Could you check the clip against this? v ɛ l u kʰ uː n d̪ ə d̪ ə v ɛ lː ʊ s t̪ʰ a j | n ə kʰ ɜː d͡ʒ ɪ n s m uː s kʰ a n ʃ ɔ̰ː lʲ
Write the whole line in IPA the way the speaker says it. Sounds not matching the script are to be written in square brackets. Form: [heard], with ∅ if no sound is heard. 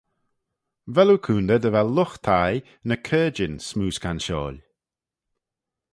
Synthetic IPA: v ɛ l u kʰ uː n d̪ ə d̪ ə v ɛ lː ʊ [x] t̪ʰ a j | n ə kʰ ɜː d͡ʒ ɪ n s m uː s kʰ a n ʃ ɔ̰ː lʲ